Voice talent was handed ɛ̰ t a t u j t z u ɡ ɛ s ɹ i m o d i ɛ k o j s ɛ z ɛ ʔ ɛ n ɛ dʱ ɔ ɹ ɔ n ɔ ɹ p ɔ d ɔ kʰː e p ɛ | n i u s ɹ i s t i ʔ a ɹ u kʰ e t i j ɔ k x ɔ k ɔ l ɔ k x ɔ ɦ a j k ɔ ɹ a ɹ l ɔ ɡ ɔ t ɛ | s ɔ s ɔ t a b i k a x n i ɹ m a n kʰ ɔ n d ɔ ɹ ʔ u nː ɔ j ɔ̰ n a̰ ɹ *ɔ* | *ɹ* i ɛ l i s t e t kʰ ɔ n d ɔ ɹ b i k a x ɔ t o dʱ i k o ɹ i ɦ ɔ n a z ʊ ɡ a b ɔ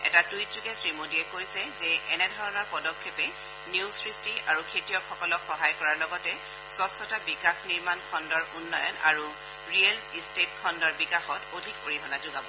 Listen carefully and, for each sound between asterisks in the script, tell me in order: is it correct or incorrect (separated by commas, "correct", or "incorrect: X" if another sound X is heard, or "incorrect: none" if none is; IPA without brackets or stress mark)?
incorrect: u, correct